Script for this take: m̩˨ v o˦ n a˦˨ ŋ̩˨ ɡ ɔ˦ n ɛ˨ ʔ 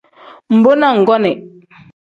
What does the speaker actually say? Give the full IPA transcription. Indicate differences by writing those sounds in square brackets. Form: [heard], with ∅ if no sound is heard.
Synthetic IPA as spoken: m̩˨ [b] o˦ n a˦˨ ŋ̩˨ ɡ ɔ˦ n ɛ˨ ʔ